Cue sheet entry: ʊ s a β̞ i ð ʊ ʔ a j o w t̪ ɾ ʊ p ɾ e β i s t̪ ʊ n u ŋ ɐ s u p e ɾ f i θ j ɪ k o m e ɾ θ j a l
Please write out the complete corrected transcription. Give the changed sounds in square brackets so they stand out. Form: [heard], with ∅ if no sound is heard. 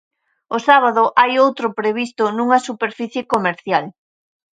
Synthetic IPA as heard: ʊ s a β̞ [a] ð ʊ ʔ a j o w t̪ ɾ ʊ p ɾ e β i s t̪ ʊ n u ŋ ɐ s u p e ɾ f i θ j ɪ k o m e ɾ θ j a l